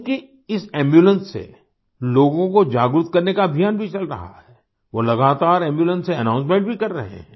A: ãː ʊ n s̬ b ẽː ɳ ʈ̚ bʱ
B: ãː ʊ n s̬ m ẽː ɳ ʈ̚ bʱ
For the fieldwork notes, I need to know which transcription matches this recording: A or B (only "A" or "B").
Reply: B